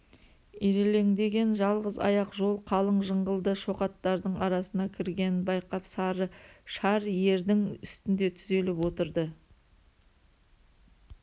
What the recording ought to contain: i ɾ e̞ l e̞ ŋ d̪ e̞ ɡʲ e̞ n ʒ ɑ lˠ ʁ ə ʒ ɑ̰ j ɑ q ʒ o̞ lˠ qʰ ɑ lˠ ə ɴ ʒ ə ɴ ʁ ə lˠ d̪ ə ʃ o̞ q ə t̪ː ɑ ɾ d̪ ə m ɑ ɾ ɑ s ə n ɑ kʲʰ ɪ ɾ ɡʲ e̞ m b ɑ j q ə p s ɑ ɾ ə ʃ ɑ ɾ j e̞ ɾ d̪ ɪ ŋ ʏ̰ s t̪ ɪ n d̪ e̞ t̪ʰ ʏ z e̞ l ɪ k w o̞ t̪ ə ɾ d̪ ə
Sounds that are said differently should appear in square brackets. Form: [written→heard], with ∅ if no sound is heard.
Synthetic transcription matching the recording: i ɾ e̞ l e̞ ŋ d̪ e̞ ɡʲ e̞ n ʒ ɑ lˠ ʁ ə [ʒ→z] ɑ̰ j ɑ q ʒ o̞ lˠ qʰ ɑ lˠ ə ɴ ʒ ə ɴ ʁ ə lˠ d̪ ə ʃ o̞ q [ə→ɑ] t̪ː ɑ ɾ d̪ ə [m→ɴ] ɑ ɾ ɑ s ə n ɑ kʲʰ ɪ ɾ ɡʲ e̞ [m→n] b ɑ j q [ə→ɑ] p s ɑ ɾ ə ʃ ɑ ɾ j e̞ ɾ d̪ ɪ ŋ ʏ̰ s t̪ ɪ n d̪ e̞ t̪ʰ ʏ z e̞ l ɪ [k→p] w o̞ t̪ ə ɾ d̪ ə